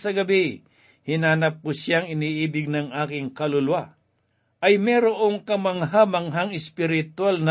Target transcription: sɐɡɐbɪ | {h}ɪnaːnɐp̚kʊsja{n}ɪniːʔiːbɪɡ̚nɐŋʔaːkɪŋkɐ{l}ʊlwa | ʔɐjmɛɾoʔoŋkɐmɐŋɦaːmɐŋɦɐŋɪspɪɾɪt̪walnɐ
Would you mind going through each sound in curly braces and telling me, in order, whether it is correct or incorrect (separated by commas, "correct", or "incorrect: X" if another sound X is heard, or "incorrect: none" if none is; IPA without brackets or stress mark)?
correct, incorrect: ŋ, correct